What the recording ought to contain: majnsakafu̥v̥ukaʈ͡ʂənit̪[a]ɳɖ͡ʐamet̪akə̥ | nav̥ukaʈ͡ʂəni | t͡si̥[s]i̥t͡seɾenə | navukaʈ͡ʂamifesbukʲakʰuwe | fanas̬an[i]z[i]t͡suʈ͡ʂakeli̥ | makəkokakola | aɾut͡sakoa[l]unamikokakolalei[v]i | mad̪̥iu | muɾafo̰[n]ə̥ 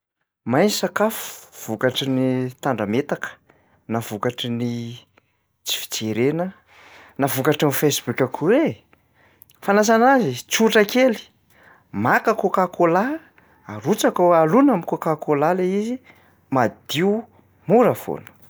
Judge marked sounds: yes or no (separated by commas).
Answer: yes, no, no, yes, yes, no, yes